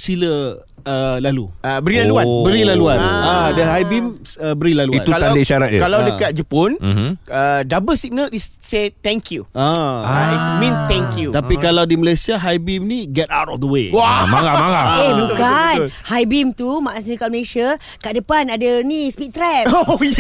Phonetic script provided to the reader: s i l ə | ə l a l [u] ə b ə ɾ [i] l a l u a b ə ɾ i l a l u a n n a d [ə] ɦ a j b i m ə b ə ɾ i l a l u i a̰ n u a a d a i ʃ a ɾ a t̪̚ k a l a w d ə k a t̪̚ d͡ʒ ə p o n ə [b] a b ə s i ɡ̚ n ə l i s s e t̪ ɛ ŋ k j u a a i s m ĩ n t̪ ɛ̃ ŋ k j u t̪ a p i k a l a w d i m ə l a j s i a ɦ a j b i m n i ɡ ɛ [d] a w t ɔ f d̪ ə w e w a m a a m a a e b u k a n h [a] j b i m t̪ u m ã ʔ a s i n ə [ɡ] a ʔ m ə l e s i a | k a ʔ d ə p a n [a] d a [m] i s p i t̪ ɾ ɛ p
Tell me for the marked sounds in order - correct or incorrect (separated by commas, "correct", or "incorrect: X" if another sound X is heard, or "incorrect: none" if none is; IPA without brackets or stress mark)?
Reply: correct, correct, correct, incorrect: d, incorrect: t, correct, incorrect: k, correct, incorrect: n